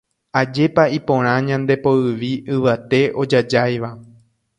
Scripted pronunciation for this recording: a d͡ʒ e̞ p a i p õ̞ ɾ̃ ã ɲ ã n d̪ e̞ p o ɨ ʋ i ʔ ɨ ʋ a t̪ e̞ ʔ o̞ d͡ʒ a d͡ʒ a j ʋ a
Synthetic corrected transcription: a d͡ʒ e̞ p a i p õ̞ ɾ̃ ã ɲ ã n d̪ e̞ p o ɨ ʋ i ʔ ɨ ʋ a t̪ e̞ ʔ o̞ d͡ʒ a d͡ʒ a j ʋ a